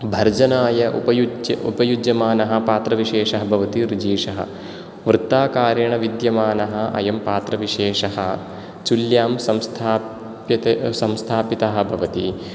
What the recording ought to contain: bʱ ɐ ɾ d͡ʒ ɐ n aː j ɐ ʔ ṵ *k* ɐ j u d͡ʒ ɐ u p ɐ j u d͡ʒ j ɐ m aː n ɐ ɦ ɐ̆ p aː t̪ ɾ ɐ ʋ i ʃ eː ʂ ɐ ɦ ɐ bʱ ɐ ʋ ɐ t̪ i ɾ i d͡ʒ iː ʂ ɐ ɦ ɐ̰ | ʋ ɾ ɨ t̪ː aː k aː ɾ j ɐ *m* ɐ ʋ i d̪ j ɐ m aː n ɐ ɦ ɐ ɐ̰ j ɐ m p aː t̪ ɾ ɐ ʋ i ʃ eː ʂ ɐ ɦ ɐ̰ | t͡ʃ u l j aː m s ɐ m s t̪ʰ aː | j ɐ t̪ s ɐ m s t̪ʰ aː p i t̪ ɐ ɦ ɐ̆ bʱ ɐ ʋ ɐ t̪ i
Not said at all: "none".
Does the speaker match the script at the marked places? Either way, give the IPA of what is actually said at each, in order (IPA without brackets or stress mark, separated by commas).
p, ɳ